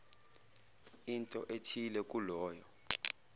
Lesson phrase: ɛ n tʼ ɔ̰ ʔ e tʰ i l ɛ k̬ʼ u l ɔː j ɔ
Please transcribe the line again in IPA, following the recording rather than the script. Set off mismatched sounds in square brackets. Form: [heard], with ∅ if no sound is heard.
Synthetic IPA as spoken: [i] n tʼ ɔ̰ ʔ e tʰ i l ɛ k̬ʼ u l ɔː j ɔ